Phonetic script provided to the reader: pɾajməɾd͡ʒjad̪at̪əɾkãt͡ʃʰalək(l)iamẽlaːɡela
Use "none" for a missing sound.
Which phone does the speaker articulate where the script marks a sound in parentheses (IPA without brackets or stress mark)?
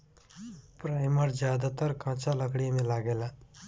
ɽ